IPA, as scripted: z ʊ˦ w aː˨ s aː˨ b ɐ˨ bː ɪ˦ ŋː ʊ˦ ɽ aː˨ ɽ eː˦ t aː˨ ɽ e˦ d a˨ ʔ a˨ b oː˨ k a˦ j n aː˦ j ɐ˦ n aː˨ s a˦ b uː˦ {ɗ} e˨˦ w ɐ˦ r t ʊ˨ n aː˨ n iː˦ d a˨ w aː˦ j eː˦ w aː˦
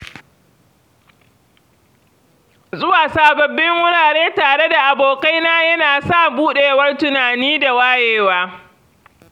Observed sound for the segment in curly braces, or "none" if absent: ɗ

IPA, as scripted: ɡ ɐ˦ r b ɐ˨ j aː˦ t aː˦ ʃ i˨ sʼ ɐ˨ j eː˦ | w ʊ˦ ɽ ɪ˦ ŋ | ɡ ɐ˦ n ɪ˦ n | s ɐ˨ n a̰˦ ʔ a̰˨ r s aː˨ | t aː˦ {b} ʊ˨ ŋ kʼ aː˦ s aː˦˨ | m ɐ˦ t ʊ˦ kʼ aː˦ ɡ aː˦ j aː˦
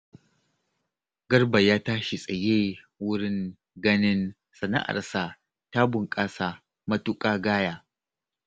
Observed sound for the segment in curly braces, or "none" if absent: b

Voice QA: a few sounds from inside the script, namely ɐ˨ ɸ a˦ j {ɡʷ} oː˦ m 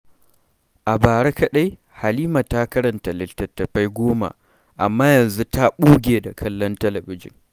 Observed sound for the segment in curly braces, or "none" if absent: ɡʷ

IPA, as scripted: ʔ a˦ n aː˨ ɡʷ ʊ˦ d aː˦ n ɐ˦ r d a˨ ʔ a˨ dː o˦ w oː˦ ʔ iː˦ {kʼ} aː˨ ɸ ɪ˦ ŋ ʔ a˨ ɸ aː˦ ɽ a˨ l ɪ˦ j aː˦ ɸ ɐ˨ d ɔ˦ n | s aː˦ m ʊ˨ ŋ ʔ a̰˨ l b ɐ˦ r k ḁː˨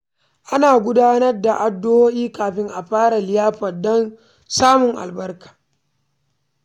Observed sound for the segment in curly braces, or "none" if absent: k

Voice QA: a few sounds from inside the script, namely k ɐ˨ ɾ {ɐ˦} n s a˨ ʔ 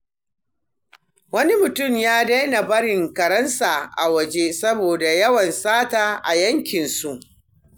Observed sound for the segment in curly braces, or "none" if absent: ɐ˦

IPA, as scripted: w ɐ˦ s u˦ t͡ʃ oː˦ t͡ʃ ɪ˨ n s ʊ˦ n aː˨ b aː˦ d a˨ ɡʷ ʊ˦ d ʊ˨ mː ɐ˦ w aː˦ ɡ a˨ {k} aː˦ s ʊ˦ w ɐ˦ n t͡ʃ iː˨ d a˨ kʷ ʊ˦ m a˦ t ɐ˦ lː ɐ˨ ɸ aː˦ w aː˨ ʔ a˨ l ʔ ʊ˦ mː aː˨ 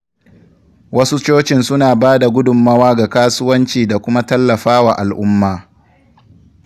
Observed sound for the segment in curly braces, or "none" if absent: k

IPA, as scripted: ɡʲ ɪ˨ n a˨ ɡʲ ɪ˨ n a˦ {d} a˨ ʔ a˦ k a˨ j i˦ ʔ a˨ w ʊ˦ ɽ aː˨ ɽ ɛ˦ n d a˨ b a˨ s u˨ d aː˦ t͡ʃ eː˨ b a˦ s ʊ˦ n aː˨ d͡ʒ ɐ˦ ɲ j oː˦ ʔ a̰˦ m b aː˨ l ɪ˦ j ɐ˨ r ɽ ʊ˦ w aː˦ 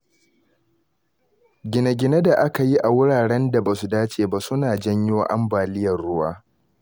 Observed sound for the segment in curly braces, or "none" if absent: d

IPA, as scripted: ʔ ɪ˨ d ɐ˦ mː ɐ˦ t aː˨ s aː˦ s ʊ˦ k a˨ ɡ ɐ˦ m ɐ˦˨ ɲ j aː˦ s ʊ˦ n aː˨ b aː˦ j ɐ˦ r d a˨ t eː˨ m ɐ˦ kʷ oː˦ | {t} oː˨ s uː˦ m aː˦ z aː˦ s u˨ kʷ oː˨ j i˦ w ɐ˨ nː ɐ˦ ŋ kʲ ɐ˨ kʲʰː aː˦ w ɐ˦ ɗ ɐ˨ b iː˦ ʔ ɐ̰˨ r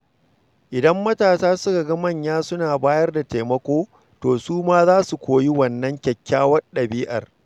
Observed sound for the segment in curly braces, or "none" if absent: t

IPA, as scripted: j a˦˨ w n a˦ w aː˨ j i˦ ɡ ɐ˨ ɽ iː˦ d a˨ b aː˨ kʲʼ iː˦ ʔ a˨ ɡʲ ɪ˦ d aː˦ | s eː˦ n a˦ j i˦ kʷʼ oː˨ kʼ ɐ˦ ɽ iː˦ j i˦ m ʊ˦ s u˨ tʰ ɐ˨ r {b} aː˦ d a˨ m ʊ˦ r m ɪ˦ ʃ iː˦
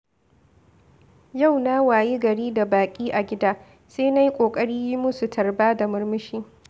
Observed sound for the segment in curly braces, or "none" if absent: b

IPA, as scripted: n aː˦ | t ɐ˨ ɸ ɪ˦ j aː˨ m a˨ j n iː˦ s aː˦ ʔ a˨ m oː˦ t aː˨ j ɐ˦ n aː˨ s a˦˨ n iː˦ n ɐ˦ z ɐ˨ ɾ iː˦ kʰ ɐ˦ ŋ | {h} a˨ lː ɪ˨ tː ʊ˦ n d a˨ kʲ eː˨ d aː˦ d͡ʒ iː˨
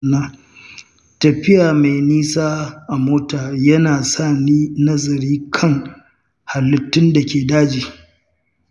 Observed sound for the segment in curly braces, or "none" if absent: h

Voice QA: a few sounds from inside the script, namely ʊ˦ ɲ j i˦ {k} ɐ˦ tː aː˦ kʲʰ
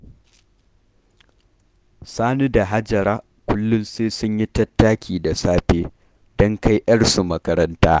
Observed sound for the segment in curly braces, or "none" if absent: t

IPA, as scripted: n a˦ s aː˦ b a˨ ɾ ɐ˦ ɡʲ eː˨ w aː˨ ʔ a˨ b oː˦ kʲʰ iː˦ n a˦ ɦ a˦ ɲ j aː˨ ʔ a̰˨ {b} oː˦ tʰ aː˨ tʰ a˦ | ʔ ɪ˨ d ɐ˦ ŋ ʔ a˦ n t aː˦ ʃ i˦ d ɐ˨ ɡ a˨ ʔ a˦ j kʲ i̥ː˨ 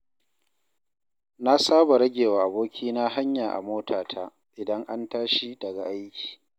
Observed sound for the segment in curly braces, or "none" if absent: m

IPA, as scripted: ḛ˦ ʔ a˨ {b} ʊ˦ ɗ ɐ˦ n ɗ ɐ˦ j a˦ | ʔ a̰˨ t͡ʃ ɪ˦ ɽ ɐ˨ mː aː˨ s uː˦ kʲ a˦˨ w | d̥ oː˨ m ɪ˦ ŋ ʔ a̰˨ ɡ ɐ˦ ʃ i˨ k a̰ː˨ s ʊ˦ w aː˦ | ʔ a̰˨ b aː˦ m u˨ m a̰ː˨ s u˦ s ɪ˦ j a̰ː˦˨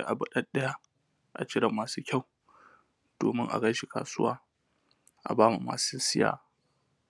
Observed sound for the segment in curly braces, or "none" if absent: b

